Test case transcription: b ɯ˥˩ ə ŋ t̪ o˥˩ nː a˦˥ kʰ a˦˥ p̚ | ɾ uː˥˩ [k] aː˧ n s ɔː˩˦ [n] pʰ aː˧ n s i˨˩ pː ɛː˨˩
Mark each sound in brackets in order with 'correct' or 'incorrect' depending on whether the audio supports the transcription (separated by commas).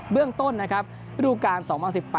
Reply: correct, incorrect